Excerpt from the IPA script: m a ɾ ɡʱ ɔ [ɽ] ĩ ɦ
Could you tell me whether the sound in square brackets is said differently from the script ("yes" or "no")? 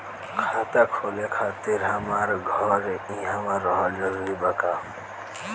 yes